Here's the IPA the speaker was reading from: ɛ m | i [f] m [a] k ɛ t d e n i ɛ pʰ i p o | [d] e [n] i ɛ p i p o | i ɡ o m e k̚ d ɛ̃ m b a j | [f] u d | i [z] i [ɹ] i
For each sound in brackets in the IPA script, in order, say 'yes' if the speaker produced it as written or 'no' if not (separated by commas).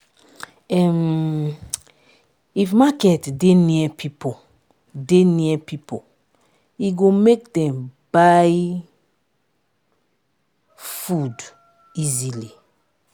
yes, yes, yes, yes, yes, yes, no